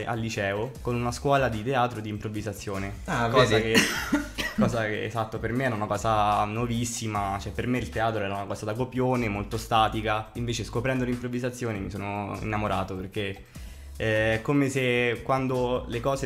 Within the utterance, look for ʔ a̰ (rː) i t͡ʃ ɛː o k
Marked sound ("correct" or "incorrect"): incorrect